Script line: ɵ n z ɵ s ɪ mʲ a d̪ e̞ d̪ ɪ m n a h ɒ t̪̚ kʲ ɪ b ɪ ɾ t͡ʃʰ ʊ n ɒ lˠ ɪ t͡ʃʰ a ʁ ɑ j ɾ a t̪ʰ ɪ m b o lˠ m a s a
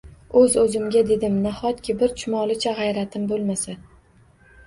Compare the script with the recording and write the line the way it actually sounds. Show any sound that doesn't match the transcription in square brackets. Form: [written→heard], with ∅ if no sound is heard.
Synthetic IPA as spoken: ɵ [n→∅] z ɵ [s→z] ɪ mʲ a d̪ e̞ d̪ ɪ m n a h ɒ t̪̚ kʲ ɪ b ɪ ɾ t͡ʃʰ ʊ [n→m] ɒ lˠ ɪ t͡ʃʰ a ʁ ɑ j ɾ a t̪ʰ ɪ m b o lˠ m a s a